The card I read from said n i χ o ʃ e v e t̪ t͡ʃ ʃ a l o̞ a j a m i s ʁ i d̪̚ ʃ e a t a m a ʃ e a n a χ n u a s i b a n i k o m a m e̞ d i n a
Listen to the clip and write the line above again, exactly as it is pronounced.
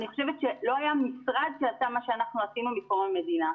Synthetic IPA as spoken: n i χ o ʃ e v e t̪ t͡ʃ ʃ e l o̞ a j a m i s ʁ a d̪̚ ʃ e a t a m a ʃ e a n a χ n u a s i m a m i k o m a m e̞ d i n a